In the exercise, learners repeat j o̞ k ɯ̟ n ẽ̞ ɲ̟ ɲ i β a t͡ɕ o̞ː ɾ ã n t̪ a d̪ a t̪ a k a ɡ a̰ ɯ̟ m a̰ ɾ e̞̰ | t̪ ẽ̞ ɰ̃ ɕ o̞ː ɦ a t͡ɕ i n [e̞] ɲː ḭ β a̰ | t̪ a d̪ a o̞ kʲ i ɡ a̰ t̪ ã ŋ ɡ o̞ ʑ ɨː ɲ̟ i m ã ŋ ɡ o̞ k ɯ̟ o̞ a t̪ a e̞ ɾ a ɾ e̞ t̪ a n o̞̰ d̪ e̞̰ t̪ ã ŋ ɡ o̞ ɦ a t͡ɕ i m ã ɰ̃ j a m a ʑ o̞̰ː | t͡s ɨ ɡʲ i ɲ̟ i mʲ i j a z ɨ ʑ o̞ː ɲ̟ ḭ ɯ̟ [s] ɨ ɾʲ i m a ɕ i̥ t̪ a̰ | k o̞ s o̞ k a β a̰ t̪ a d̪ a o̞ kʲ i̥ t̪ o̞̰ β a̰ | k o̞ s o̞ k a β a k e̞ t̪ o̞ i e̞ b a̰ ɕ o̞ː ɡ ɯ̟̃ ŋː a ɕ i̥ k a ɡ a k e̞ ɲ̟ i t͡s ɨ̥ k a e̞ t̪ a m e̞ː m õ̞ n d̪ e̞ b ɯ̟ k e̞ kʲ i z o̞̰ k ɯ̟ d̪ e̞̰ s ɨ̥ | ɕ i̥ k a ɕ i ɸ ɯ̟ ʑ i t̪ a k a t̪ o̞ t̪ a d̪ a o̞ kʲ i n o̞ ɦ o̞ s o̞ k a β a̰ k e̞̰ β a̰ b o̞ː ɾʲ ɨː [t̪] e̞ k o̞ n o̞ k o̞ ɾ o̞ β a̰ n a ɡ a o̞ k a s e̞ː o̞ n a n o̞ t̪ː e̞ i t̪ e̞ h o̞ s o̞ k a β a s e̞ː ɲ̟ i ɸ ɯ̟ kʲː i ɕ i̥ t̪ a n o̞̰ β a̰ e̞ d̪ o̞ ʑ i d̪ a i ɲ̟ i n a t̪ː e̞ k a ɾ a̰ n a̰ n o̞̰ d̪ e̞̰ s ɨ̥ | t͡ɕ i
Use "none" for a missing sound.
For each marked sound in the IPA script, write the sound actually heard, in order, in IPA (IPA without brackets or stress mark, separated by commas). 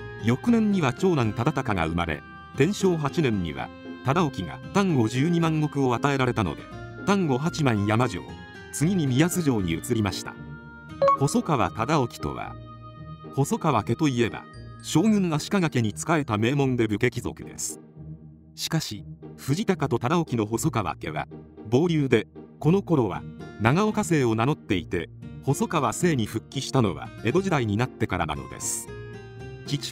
ẽ̞, t͡s, d̪